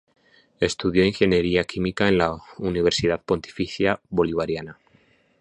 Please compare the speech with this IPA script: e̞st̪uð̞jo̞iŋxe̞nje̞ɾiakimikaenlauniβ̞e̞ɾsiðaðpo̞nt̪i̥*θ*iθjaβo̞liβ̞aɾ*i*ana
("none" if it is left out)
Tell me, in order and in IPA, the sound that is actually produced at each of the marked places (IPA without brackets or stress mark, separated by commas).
f, j